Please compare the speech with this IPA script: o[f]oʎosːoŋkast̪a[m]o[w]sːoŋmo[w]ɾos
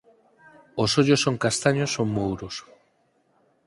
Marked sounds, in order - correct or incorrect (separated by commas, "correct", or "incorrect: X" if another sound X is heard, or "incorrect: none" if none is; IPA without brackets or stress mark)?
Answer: incorrect: s, incorrect: ɲ, incorrect: none, correct